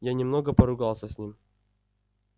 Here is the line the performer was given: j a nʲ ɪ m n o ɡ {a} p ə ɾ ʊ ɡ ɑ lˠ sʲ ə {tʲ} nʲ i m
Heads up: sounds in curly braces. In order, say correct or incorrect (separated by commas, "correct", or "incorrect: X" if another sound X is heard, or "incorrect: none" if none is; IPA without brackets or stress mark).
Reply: incorrect: ə, incorrect: sʲ